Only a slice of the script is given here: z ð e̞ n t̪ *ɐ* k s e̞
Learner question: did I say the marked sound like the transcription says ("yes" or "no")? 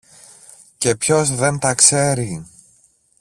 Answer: yes